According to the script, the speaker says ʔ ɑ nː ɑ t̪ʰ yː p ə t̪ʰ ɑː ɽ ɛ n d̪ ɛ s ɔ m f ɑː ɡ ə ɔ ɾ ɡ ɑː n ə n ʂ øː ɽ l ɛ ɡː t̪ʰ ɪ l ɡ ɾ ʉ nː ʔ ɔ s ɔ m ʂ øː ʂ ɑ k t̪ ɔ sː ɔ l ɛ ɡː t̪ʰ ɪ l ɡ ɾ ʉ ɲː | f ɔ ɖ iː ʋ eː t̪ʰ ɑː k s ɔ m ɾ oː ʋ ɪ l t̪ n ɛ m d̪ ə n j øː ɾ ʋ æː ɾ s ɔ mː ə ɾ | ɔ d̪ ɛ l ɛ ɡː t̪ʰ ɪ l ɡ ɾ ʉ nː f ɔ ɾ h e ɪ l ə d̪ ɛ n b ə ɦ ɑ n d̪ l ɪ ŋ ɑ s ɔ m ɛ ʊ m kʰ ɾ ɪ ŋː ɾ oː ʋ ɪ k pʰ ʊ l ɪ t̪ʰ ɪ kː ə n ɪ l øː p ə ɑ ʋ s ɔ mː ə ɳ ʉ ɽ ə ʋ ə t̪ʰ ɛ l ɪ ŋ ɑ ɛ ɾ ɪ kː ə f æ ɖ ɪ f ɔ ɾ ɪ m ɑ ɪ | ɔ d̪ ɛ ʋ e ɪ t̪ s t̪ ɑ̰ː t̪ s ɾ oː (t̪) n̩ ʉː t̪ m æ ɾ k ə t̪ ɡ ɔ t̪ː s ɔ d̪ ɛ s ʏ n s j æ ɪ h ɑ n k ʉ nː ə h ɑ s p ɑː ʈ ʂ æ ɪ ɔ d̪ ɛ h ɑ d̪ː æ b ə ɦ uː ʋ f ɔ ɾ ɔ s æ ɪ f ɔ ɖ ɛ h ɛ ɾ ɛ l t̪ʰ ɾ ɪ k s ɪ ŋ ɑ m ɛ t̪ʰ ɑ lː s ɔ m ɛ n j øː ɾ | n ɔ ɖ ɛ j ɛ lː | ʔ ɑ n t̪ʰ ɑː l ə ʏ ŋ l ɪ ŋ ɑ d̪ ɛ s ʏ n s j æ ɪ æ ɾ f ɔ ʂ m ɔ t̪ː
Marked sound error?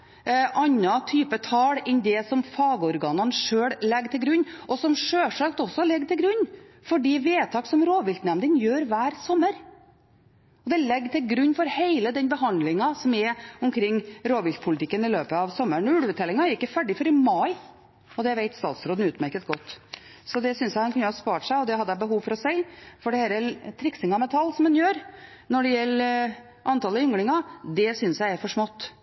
yes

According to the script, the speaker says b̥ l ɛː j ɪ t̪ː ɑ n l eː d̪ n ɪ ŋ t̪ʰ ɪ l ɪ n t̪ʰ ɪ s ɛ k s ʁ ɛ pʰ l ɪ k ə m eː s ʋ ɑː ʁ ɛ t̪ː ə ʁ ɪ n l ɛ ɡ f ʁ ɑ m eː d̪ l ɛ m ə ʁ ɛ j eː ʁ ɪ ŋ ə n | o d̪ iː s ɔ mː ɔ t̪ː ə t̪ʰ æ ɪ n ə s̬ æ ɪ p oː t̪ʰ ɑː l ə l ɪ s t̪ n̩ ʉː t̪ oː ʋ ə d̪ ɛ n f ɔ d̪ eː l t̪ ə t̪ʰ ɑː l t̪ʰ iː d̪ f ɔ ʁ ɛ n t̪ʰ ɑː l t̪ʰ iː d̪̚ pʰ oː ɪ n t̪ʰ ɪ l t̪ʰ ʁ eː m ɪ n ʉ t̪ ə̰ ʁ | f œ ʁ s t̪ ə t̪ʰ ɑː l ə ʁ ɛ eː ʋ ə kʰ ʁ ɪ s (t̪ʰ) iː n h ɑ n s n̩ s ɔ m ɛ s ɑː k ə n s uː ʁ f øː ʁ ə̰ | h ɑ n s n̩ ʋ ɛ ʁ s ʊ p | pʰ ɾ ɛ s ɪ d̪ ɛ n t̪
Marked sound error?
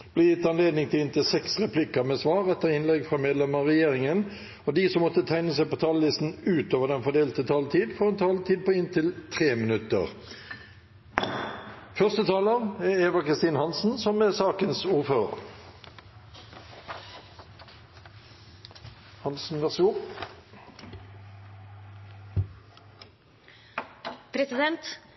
yes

